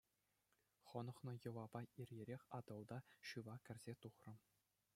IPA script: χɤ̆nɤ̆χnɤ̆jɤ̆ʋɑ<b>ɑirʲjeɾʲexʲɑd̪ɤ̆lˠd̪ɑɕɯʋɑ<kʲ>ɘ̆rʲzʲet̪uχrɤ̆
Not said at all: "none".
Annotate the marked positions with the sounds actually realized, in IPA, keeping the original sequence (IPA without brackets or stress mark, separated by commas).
b, kʲ